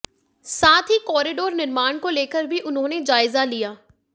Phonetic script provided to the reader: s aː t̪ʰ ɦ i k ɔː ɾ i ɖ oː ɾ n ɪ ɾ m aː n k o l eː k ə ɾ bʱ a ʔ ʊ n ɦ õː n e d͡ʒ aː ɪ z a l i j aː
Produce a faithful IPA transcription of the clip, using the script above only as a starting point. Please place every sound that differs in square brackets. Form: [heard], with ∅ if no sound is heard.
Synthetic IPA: s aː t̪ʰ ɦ i k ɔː ɾ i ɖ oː ɾ n ɪ ɾ m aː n k o l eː k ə ɾ bʱ [i] ʔ ʊ n ɦ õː n e d͡ʒ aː ɪ z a l i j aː